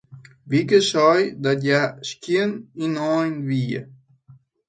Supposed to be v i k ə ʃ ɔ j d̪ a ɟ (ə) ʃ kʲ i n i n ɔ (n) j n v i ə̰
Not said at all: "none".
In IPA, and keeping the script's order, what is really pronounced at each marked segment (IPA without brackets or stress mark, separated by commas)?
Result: a, none